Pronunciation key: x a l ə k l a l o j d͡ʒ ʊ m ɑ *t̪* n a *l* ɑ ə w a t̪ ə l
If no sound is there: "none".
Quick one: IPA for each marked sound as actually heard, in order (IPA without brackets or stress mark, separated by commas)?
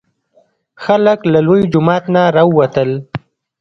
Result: t̪, ɾ